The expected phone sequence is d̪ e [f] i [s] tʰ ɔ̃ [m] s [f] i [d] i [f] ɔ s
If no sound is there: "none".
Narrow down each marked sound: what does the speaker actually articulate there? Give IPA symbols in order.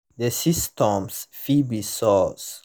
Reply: s, s, m, f, b, s

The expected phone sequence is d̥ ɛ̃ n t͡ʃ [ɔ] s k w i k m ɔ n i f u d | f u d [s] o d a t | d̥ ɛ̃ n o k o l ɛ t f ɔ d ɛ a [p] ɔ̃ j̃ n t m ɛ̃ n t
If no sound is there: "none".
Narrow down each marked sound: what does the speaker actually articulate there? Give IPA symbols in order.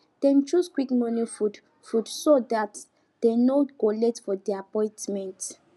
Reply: u, s, p

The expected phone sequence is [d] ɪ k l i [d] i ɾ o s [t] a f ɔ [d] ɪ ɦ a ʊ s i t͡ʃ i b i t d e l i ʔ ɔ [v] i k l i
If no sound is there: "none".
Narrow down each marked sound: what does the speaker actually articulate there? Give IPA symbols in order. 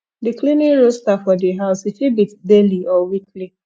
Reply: d, n, t, d, w

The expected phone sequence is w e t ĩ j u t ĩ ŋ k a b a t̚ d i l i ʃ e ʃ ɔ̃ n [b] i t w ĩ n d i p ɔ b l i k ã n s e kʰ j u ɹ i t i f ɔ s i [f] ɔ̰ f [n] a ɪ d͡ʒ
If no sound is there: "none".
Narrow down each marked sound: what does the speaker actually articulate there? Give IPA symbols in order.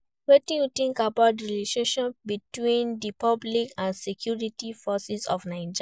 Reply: b, s, n

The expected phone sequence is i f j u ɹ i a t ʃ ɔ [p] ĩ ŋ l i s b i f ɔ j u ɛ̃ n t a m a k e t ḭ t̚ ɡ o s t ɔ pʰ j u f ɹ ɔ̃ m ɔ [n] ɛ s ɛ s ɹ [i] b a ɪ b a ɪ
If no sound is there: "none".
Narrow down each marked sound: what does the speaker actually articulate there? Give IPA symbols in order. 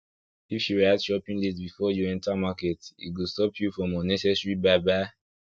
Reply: p, n, i

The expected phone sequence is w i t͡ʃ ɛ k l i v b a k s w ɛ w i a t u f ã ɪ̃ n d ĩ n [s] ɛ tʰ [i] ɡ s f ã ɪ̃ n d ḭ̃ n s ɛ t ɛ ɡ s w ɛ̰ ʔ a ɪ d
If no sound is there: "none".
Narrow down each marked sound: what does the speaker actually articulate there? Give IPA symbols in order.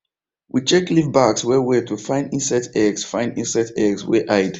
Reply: s, ɛ

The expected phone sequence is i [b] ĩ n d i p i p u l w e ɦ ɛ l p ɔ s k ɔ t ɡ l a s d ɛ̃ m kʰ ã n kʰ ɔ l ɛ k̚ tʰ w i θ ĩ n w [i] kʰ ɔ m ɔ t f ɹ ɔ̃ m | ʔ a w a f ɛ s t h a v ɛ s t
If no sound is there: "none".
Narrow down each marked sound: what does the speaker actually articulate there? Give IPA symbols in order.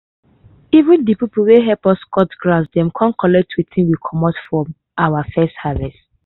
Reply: v, i

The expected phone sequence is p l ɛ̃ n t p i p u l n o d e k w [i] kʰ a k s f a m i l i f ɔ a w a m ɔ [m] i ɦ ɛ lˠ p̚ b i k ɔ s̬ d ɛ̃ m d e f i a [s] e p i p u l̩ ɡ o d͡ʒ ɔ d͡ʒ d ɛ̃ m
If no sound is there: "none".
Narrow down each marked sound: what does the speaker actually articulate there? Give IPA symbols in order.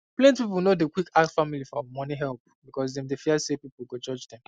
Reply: i, n, s

